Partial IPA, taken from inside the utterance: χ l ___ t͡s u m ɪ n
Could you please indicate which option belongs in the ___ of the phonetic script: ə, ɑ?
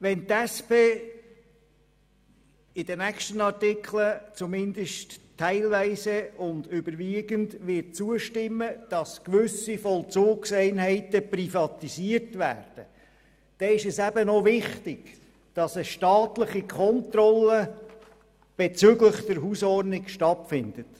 ə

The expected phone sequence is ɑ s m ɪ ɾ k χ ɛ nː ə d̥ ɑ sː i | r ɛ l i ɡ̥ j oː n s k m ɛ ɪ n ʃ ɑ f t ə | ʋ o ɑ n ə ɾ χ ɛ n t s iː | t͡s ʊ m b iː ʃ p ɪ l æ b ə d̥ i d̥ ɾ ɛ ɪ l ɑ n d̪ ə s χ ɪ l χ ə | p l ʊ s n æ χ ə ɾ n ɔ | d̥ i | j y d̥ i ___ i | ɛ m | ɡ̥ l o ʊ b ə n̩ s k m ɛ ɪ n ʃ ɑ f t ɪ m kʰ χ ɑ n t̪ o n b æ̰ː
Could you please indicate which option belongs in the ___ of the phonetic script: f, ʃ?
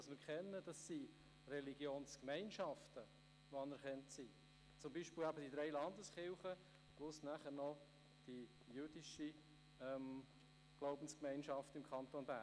ʃ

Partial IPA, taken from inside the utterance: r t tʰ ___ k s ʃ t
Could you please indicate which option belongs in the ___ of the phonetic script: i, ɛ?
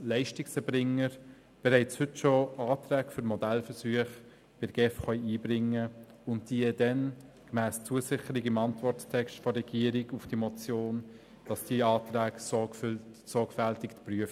ɛ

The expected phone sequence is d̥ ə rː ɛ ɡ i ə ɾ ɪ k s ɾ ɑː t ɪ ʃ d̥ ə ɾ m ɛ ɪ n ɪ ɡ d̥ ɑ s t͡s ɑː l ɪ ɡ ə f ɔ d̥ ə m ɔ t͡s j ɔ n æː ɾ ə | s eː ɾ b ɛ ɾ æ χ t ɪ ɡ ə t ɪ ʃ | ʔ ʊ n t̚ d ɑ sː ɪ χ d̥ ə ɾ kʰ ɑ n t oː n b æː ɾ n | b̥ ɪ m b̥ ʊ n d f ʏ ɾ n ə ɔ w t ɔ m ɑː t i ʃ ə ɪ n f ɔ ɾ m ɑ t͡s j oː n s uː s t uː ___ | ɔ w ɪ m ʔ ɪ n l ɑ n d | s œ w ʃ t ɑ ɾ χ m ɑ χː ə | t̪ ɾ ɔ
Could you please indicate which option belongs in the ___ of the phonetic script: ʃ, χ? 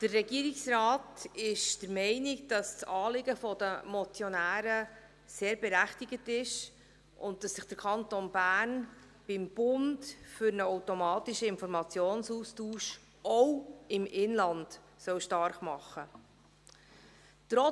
ʃ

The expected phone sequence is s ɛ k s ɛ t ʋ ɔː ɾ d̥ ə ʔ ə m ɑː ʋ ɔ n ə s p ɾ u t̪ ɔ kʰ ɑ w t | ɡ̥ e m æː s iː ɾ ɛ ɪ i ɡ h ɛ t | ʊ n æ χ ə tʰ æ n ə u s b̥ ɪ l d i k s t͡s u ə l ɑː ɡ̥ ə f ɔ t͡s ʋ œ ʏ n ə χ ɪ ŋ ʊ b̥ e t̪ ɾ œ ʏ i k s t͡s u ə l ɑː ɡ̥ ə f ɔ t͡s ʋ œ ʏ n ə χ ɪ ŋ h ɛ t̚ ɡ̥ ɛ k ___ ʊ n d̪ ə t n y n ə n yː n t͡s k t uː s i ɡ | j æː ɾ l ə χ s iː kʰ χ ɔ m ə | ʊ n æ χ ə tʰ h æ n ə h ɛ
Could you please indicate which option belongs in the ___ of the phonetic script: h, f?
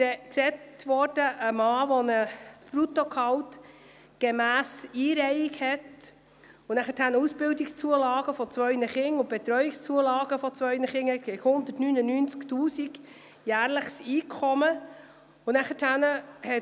h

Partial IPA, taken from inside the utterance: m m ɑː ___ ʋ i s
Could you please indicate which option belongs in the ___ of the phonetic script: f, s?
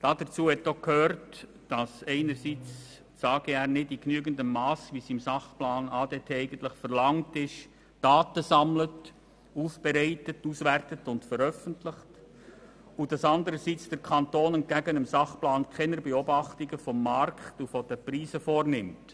s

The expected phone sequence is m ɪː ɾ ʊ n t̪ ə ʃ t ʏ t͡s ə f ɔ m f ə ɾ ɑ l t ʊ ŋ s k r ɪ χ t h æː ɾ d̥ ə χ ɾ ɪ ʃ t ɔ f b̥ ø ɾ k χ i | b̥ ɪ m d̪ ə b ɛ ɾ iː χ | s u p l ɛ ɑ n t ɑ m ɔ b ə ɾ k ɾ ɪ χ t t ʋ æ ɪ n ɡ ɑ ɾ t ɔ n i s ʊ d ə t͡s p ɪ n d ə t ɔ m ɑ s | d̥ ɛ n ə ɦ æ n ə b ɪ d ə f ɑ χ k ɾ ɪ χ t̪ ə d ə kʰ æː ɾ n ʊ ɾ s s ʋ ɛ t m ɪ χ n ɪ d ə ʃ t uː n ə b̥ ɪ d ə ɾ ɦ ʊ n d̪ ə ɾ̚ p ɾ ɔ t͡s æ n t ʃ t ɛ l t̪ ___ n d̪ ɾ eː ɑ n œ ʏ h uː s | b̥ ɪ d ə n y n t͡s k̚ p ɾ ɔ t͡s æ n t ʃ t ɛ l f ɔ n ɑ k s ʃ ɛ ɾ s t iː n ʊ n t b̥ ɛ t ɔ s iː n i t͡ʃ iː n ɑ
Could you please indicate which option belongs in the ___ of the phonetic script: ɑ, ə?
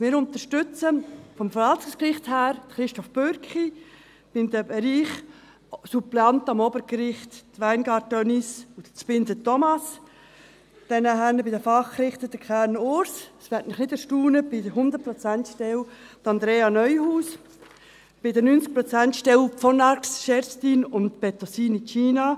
ɑ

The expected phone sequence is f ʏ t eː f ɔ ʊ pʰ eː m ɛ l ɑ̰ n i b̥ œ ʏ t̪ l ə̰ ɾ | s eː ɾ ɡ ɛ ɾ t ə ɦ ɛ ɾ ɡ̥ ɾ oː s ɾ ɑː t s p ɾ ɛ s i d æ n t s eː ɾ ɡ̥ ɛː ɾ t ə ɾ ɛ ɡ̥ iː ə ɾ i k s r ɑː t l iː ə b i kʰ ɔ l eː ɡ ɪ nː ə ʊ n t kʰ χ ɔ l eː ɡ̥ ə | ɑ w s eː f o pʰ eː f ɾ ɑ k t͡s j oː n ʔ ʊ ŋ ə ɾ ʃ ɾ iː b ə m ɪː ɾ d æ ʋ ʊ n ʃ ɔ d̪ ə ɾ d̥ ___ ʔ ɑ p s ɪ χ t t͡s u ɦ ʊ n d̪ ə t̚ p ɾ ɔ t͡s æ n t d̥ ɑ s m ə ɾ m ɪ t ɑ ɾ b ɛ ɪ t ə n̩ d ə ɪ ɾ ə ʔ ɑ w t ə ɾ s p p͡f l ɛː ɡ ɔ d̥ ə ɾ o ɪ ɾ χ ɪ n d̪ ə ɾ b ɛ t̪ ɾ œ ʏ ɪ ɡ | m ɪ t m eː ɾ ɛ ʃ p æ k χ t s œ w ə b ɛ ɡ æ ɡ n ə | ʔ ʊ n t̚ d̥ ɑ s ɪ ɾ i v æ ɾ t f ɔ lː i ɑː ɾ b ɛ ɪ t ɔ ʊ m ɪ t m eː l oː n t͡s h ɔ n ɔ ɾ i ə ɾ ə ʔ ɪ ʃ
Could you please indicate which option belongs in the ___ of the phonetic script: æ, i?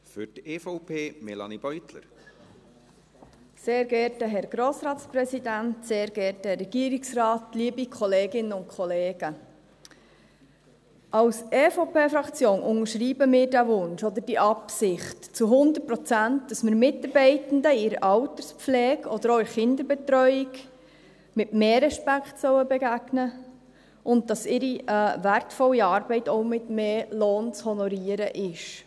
i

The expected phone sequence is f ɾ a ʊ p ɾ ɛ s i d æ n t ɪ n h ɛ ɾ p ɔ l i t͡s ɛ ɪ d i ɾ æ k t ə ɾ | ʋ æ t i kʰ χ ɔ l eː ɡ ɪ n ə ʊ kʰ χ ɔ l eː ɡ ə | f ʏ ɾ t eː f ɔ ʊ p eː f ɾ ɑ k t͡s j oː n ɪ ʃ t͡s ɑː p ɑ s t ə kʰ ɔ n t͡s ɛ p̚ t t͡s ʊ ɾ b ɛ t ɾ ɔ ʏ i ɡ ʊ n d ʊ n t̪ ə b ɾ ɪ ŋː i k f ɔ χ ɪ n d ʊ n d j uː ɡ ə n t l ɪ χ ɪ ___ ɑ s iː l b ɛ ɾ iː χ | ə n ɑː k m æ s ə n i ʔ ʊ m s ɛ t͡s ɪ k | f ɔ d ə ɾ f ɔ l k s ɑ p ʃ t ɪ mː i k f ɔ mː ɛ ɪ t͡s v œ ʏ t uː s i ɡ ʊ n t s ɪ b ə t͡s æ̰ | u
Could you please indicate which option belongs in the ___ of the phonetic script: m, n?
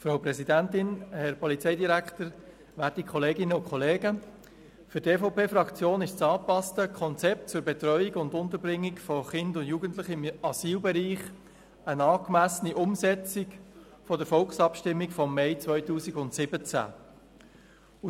m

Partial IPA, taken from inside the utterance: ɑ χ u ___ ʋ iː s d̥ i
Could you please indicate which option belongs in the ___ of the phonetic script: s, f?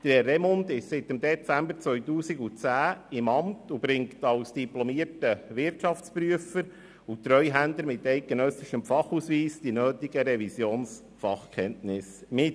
s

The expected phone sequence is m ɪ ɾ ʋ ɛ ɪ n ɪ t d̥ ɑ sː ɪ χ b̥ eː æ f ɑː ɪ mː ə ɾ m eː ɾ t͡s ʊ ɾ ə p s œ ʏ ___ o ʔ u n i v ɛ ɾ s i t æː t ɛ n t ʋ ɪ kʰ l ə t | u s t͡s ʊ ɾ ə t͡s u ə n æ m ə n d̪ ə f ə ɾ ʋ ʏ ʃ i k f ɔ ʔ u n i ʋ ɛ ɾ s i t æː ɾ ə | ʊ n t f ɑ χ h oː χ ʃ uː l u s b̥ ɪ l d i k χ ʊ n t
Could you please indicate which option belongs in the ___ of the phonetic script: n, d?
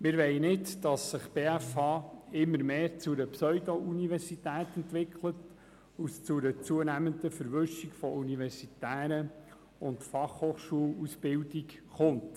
d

